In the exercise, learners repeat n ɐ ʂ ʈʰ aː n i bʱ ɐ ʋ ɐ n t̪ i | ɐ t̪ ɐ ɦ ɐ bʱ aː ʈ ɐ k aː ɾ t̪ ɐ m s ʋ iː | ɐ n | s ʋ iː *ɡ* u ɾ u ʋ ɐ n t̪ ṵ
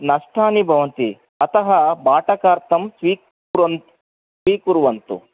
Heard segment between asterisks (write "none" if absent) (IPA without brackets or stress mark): k